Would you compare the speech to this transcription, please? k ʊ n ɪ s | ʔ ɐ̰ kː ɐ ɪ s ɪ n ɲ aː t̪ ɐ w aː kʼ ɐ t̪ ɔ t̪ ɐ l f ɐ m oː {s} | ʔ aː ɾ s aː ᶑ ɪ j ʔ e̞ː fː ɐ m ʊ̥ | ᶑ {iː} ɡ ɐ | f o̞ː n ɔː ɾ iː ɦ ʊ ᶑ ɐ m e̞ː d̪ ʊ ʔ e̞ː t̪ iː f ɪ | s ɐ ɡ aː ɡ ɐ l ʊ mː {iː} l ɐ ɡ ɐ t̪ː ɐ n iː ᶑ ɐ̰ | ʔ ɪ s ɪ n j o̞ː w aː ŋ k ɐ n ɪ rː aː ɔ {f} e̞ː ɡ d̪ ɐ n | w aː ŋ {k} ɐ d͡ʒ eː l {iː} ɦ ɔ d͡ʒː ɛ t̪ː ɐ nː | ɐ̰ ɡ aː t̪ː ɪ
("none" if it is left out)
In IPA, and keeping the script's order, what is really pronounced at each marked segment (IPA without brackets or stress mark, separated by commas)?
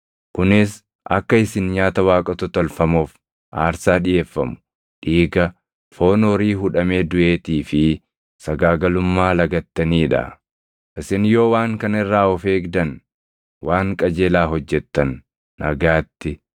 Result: f, iː, aː, f, kʼ, aː